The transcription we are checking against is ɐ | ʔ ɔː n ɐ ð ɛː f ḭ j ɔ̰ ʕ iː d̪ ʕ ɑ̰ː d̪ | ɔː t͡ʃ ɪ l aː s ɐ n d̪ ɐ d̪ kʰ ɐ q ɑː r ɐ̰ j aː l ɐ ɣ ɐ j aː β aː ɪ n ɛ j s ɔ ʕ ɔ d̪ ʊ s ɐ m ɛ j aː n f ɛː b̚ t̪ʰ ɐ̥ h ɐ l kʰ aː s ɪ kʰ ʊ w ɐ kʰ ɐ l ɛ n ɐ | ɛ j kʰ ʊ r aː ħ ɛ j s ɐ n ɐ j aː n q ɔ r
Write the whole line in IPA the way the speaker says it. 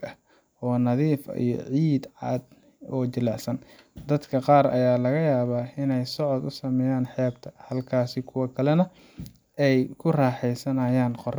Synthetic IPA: ɐ | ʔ ɔː n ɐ ð iː f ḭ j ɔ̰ ʕ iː d̪ ʕ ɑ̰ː d̪ | ɔː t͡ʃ ɪ l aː s ɐ n d̪ ɐ d̪ kʰ ɐ q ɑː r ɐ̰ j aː l ɐ ɣ ɐ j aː β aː ɪ n ɛ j s ɔ ʕ ɔ d̪ ʊ s ɐ m ɛ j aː n ħ ɛː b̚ t̪ʰ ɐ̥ h ɐ l kʰ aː s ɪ kʰ ʊ w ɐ kʰ ɐ l ɛ n ɐ | ɛ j kʰ ʊ r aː ħ ɛ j s ɐ n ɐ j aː n q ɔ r